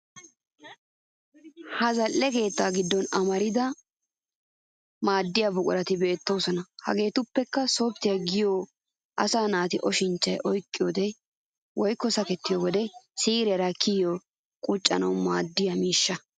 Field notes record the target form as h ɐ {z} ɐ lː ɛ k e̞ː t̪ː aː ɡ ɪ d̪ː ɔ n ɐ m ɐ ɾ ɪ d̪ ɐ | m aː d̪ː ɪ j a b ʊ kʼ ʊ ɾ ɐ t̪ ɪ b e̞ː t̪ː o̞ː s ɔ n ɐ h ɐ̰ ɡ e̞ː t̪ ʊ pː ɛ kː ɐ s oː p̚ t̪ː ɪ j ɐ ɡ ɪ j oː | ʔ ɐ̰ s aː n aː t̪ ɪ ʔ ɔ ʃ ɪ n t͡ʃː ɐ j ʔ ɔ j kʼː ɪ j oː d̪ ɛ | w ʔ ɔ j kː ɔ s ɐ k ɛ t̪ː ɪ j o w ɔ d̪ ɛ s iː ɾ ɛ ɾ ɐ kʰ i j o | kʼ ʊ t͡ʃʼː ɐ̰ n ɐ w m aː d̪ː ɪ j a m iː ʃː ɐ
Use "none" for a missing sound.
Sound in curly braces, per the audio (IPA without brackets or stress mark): z